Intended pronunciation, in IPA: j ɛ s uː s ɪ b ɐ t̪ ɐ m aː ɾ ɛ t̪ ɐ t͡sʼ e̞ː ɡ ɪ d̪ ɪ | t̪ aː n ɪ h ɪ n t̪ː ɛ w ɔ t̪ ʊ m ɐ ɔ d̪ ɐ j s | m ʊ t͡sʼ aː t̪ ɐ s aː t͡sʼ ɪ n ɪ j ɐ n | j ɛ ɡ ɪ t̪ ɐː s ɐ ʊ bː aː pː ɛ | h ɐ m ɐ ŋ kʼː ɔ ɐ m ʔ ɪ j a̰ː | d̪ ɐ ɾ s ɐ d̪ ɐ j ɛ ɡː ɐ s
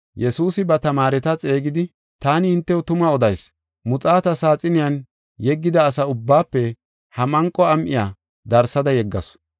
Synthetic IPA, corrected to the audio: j ɛ s uː s ɪ b ɐ t̪ ɐ m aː ɾ ɛ t̪ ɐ t͡sʼ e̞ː ɡ ɪ d̪ ɪ | t̪ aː n ɪ h ɪ n t̪ː ɛ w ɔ t̪ ʊ m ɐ ɔ d̪ ɐ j s | m ʊ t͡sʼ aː t̪ ɐ s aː t͡sʼ ɪ n ɪ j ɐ n | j ɛ ɡː ɪ d̪ ɐː s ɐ ʊ bː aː pː ɛ | h ɐ m ɐ ŋ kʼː ɔ ɐ m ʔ ɪ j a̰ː | d̪ ɐ ɾ s ɐ d̪ ɐ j ɛ ɡː ɐ s